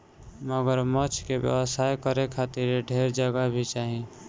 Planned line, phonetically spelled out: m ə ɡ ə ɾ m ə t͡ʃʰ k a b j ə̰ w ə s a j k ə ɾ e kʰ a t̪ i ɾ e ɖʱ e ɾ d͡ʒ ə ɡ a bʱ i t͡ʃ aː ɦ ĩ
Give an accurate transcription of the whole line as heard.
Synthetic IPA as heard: m ə ɡ ə ɾ m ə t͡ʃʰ k e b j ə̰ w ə s a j k ə ɾ e kʰ a t̪ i ɾ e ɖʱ e ɾ d͡ʒ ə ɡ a bʱ i t͡ʃ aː ɦ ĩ